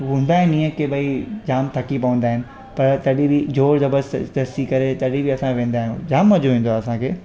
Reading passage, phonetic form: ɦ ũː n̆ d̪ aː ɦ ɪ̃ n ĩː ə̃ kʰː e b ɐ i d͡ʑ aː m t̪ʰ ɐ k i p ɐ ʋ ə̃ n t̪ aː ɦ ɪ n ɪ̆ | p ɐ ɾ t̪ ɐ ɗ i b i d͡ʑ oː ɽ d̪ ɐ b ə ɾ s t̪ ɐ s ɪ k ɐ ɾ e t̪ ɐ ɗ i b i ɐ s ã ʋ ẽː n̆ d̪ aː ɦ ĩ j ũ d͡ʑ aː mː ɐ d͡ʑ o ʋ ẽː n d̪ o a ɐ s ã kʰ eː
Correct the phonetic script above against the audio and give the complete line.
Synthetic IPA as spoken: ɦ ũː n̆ d̪ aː ɦ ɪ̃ n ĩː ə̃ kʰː e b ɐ i d͡ʑ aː m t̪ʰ ɐ k i p ɐ ʋ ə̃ n d̪ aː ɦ ɪ n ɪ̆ | p ɐ ɾ t̪ ɐ ɗ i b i d͡ʑ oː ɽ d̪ ɐ b ə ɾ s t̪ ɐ s i k ɐ ɾ e t̪ ɐ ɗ i b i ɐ s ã ʋ ẽː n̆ d̪ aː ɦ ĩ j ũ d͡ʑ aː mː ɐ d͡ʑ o ʋ ẽː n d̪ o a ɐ s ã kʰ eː